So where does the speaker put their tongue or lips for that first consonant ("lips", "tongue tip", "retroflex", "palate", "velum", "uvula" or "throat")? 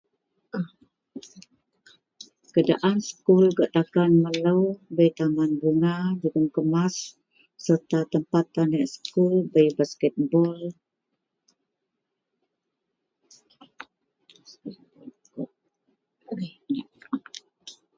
velum